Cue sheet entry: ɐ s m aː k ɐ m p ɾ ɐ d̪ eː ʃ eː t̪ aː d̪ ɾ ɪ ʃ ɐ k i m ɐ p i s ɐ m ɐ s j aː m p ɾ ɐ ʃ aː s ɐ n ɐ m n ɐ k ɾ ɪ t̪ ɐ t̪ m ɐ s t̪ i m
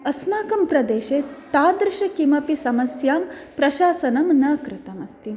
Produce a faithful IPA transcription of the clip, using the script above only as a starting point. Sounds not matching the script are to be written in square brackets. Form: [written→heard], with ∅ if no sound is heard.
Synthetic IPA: ɐ s m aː k ɐ m p ɾ ɐ d̪ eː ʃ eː t̪ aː d̪ ɾ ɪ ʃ ɐ k i m ɐ p i s ɐ m ɐ s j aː m p ɾ ɐ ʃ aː s ɐ n ɐ m n ɐ k ɾ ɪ t̪ ɐ [t̪→∅] m ɐ s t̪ i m